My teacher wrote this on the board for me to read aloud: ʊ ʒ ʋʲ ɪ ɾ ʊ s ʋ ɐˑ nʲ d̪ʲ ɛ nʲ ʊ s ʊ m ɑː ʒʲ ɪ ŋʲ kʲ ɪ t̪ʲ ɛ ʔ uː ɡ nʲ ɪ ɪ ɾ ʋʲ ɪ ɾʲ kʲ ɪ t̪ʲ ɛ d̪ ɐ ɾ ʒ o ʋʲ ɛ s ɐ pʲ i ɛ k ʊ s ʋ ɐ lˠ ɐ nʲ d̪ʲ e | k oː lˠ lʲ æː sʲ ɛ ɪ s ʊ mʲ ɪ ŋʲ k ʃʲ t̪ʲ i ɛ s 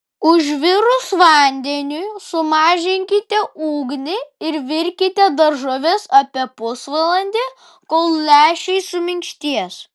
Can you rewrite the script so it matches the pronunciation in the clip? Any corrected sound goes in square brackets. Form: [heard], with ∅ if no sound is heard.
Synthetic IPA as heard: ʊ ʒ ʋʲ ɪ ɾ ʊ s ʋ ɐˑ nʲ d̪ʲ ɛ nʲ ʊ s ʊ m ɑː ʒʲ ɪ ŋʲ kʲ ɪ t̪ʲ ɛ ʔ uː ɡ nʲ ɪ ɪ ɾ ʋʲ ɪ ɾʲ kʲ ɪ t̪ʲ ɛ d̪ ɐ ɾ ʒ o ʋʲ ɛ s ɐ pʲ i ɛ [p] ʊ s ʋ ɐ lˠ ɐ nʲ d̪ʲ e | k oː lˠ lʲ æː [ʃʲ] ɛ ɪ s ʊ mʲ ɪ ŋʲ k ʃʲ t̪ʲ i ɛ s